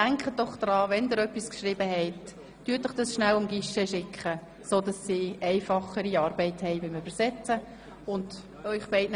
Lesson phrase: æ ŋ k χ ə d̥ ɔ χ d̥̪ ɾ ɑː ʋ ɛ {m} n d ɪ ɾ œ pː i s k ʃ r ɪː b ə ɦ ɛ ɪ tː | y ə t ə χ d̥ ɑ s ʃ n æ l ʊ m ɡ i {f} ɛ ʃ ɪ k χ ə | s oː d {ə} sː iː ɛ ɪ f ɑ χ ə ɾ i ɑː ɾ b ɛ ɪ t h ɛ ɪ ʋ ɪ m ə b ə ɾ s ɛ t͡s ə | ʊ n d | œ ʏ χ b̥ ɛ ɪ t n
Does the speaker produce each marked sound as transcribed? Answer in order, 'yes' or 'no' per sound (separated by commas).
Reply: no, no, no